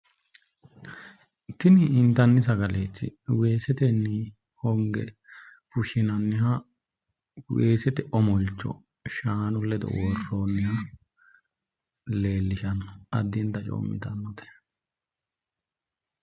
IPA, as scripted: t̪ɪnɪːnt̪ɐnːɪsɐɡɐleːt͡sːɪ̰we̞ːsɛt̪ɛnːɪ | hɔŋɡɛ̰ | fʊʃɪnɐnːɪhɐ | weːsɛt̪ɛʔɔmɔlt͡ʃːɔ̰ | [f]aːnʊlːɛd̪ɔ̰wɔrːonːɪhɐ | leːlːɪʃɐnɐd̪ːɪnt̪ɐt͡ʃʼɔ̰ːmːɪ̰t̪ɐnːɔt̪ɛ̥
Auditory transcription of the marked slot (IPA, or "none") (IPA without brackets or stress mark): ʃ